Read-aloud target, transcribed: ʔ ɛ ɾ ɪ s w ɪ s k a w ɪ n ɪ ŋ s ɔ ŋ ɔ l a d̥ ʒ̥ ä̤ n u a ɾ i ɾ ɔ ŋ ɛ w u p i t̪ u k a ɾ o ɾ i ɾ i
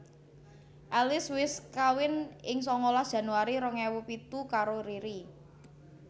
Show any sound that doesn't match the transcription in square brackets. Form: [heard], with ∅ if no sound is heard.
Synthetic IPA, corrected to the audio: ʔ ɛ [l] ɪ s w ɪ s k a w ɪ n ɪ ŋ s ɔ ŋ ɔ l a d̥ ʒ̥ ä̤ n u a ɾ i ɾ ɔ ŋ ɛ w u p i t̪ u k a ɾ o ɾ i ɾ i